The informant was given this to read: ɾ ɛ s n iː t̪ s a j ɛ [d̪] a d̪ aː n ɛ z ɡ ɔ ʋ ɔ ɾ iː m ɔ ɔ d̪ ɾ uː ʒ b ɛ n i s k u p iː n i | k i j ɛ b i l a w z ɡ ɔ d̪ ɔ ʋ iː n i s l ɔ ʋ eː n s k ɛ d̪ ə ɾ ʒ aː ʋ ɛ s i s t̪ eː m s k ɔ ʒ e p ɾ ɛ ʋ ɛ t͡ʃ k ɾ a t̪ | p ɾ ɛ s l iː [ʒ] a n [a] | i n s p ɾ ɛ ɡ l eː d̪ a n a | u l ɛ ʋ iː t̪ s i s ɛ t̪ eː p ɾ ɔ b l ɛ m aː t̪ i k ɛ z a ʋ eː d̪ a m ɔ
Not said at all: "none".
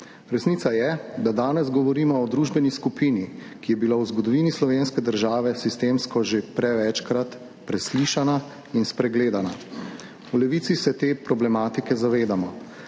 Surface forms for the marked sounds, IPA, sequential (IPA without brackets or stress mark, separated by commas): d̪, ʃ, a